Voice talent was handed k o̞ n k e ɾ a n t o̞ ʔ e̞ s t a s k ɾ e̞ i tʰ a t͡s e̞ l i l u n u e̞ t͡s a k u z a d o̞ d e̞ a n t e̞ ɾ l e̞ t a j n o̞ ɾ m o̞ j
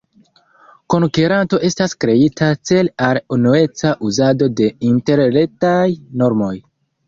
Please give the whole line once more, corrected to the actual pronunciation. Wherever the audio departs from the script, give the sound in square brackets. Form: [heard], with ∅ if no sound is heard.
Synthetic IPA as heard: k o̞ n k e ɾ a n t o̞ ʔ e̞ s t a s k ɾ e̞ i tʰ a t͡s e̞ l [a] l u n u e̞ t͡s a [ʔ] u z a d o̞ d e̞ [i] n t e̞ ɾ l e̞ t a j n o̞ ɾ m o̞ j